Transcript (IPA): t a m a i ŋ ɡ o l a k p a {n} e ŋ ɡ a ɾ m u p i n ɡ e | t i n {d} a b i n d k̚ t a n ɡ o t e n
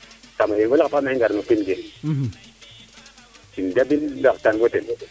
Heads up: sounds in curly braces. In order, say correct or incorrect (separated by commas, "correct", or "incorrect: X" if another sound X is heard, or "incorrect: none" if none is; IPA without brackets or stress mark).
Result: incorrect: m, correct